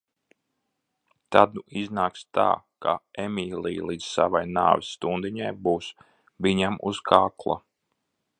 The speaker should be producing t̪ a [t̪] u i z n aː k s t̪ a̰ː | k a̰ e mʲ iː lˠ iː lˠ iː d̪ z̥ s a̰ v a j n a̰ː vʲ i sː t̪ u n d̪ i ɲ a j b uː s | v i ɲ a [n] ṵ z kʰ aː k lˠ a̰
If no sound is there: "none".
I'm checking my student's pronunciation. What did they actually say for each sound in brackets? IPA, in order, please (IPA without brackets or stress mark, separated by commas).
d̪, m